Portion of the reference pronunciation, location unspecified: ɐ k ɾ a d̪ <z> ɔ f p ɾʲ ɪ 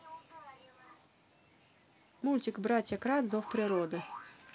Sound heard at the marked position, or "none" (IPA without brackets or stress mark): z